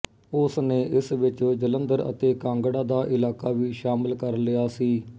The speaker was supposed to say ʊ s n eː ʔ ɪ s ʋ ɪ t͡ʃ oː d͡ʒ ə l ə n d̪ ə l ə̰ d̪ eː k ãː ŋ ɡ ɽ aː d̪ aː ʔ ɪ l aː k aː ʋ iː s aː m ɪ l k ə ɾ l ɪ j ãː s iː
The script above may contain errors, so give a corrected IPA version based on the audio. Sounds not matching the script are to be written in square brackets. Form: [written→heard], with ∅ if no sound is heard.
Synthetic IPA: ʊ s n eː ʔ ɪ s ʋ ɪ t͡ʃ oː d͡ʒ ə l ə n d̪ ə [l→ɾ] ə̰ [d̪→t̪] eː k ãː ŋ ɡ ɽ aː d̪ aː ʔ ɪ l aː k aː ʋ iː [s→ʃ] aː m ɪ l k ə ɾ l ɪ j [ãː→aː] s iː